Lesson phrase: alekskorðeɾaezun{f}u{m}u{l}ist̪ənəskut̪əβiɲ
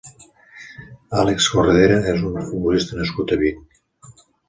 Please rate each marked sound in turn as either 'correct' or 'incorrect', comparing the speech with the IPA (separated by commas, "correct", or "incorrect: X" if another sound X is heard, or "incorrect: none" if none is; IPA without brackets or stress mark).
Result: correct, incorrect: b, correct